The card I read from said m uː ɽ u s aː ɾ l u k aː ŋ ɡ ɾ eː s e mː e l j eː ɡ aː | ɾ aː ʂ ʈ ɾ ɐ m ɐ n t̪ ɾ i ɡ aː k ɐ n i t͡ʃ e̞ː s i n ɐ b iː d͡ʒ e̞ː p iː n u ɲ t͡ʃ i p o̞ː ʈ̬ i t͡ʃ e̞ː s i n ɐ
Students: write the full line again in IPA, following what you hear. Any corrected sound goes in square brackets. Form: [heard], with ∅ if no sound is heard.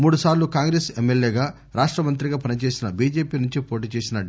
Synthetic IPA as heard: m uː ɽ u s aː ɾ l u k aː ŋ ɡ ɾ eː s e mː e l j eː ɡ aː | ɾ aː ʂ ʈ ɾ ɐ m ɐ n t̪ ɾ i ɡ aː [p] ɐ n i t͡ʃ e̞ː s i n ɐ b iː d͡ʒ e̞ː p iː n u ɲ t͡ʃ i p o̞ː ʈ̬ [iː] t͡ʃ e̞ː s i n ɐ